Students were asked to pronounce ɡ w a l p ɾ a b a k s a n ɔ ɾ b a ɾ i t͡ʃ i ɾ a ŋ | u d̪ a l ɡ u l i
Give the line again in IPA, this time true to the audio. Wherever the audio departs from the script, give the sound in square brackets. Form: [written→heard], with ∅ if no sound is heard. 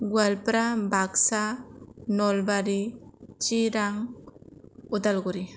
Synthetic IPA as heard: ɡ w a l p ɾ a b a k s a n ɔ [ɾ→l] b a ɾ i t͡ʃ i ɾ a ŋ | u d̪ a l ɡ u [l→ɾ] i